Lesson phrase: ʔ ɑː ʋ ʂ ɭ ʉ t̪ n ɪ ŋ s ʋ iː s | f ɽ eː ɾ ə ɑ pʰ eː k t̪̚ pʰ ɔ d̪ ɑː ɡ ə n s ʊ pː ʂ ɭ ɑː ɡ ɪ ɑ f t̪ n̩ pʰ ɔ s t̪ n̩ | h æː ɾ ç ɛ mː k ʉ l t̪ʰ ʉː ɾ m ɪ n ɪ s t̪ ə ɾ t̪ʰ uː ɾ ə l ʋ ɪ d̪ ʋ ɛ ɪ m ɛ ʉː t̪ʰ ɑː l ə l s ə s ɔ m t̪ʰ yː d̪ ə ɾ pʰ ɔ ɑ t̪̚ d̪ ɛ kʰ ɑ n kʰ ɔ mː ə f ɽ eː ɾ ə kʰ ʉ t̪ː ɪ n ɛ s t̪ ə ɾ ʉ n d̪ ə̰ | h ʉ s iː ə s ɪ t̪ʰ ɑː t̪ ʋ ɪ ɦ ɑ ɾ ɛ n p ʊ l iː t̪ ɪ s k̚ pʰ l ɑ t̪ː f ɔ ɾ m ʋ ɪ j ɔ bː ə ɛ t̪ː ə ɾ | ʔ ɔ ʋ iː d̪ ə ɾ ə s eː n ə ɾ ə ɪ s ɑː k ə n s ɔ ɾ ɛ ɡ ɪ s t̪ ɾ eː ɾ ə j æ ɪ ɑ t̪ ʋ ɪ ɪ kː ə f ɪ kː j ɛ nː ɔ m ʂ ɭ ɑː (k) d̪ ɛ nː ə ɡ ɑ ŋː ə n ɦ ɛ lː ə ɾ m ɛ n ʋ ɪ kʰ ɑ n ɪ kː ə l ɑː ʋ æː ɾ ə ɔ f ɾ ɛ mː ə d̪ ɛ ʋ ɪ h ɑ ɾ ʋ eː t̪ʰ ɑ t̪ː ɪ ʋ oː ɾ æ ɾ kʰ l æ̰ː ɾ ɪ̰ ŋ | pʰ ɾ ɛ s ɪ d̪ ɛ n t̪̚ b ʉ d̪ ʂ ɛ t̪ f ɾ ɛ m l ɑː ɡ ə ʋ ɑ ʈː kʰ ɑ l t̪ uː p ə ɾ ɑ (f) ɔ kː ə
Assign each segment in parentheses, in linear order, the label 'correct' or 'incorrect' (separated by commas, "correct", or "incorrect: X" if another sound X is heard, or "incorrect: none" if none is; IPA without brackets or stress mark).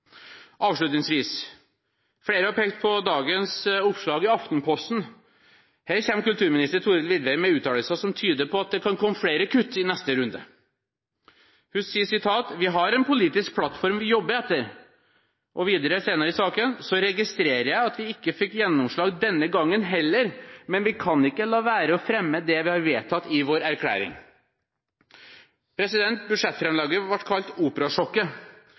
incorrect: ɡ, incorrect: ʂ